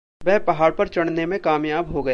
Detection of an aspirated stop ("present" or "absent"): absent